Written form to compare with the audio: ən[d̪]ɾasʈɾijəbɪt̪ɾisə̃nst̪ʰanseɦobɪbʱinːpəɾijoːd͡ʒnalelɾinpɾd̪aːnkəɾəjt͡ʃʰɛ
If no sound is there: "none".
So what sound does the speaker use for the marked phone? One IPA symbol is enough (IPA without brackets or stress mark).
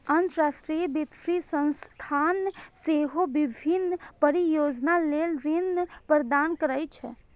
t̪